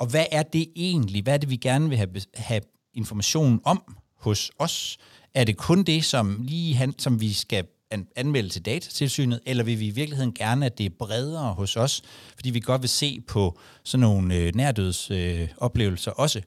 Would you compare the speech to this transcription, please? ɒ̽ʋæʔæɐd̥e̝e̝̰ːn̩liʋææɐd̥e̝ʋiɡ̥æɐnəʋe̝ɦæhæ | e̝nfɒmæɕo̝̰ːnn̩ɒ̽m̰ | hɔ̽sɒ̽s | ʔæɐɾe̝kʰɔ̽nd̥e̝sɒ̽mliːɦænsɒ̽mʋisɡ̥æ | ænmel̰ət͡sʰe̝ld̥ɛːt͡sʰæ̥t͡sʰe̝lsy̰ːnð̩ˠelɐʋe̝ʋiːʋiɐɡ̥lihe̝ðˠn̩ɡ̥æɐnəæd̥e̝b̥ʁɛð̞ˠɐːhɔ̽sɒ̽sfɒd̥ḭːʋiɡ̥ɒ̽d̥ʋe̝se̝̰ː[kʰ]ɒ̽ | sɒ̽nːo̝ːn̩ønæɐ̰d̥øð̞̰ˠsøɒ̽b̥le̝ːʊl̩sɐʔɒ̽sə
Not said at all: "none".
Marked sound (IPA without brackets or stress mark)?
pʰ